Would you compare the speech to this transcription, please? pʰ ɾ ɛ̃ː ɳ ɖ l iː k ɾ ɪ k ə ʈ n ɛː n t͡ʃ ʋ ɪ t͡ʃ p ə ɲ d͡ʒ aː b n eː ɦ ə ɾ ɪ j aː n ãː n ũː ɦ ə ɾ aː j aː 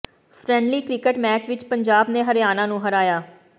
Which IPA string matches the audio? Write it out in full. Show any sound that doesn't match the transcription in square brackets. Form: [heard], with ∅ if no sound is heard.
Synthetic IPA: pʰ ɾ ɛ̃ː ɳ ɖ l iː k ɾ ɪ k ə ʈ [m] ɛː [∅] t͡ʃ ʋ ɪ t͡ʃ p ə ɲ d͡ʒ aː b n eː ɦ ə ɾ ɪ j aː n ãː n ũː ɦ ə ɾ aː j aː